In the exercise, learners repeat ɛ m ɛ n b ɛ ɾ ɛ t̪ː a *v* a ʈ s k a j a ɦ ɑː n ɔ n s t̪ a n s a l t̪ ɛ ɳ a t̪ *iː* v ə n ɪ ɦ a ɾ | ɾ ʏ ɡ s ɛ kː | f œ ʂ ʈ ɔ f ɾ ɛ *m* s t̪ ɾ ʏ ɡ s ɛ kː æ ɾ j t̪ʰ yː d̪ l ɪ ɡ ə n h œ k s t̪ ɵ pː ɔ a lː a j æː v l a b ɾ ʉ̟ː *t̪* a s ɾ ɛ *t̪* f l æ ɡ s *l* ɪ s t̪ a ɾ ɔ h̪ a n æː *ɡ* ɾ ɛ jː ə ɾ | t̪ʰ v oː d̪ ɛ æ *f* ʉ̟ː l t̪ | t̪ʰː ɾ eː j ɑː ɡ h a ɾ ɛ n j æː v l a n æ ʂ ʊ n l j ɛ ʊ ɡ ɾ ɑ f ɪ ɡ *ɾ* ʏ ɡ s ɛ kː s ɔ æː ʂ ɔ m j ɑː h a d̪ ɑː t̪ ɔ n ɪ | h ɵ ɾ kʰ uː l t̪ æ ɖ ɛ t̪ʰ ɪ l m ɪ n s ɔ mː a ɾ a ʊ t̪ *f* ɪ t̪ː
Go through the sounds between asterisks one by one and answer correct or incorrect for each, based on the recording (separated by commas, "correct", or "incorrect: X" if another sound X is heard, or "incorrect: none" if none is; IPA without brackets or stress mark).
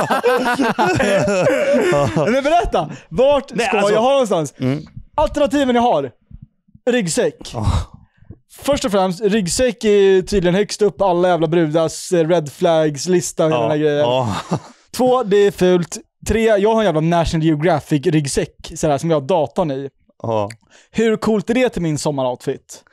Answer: correct, correct, correct, incorrect: d̪, incorrect: d̪, correct, correct, correct, correct, correct